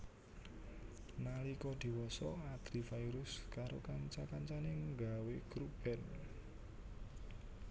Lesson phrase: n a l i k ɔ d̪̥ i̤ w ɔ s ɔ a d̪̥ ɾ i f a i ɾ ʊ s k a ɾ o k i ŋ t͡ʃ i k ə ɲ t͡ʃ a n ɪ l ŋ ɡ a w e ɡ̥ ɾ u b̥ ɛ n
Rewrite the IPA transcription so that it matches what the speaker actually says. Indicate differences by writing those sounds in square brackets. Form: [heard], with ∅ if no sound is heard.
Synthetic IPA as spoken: n a l i k ɔ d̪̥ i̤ w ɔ s ɔ a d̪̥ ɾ i f a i ɾ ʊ s k a ɾ o k [a] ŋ t͡ʃ [a] k [a] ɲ t͡ʃ a n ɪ [∅] ŋ ɡ a w e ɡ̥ ɾ u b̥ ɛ n